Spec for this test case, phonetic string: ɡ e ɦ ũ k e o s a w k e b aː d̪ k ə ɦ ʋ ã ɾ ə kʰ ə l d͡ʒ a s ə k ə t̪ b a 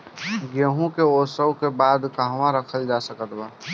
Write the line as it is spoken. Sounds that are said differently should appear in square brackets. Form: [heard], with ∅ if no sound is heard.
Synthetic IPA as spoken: ɡ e ɦ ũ k e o s [ə] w k e b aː d̪ k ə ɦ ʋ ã ɾ ə kʰ ə l d͡ʒ a s ə k ə t̪ b a